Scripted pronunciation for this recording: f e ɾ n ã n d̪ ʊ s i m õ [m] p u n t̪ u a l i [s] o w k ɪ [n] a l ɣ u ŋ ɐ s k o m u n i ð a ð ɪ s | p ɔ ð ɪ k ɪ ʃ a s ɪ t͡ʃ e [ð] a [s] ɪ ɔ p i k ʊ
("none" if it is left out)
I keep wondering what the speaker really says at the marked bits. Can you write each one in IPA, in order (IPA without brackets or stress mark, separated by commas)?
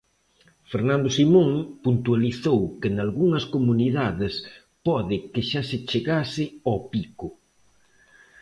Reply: ŋ, θ, n, ɣ, s